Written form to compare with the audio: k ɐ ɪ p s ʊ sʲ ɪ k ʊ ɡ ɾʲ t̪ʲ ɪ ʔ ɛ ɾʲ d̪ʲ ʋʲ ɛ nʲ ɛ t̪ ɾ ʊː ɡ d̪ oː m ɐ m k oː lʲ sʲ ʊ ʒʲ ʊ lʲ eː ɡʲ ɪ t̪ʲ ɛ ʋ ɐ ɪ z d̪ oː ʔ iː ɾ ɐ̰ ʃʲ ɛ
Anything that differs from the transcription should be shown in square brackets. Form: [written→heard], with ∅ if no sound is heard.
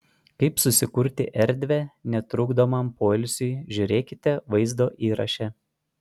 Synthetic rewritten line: k ɐ ɪ p s ʊ sʲ ɪ k ʊ [ɡ→∅] ɾʲ t̪ʲ ɪ ʔ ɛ ɾʲ d̪ʲ ʋʲ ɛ nʲ ɛ t̪ ɾ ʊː ɡ d̪ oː m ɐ m [k→p] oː lʲ sʲ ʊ ʒʲ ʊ [lʲ→ɾʲ] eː [ɡʲ→kʲ] ɪ t̪ʲ ɛ ʋ ɐ ɪ z d̪ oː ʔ iː ɾ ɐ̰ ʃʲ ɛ